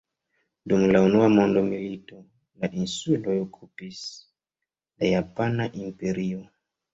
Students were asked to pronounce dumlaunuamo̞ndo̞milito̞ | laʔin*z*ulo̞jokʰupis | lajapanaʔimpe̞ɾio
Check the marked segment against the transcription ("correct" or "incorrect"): incorrect